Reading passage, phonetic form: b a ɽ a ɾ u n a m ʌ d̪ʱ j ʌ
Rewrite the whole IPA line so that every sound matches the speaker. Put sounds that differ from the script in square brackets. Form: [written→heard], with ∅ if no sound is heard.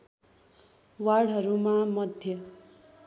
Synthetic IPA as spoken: [b→w] a ɽ [a→ʌ] ɾ u [n→m] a m ʌ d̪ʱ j ʌ